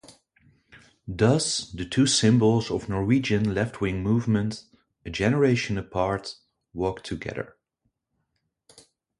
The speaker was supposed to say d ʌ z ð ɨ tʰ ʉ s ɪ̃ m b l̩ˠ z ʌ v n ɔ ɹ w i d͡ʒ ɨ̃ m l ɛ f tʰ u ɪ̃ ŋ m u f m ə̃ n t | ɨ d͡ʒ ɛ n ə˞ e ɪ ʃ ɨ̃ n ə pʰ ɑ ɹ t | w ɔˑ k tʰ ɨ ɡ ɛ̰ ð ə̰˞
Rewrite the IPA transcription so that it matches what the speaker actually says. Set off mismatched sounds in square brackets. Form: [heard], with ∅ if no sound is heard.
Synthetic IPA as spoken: d ʌ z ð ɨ tʰ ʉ s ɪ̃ m b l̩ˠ z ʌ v n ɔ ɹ w i d͡ʒ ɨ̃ [n] l ɛ f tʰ [w] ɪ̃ ŋ m u [v] m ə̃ n t | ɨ d͡ʒ ɛ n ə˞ e ɪ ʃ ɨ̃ n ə pʰ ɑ ɹ t | w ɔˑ k tʰ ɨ ɡ ɛ̰ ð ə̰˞